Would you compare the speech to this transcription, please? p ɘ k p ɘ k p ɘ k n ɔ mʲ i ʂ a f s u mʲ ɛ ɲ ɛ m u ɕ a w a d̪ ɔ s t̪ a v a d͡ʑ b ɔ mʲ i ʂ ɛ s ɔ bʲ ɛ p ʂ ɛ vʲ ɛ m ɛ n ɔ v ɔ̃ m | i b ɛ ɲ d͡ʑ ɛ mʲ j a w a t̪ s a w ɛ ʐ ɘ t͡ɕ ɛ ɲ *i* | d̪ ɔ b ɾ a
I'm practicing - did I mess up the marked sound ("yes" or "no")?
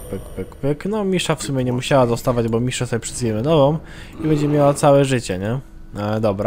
yes